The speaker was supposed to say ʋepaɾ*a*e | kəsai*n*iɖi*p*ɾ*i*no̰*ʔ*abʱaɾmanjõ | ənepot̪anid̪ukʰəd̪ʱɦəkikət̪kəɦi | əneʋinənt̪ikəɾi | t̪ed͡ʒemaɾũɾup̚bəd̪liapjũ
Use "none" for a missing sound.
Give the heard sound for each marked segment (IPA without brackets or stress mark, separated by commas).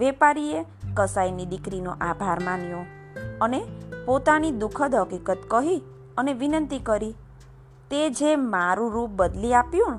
i, n, k, i, ʔ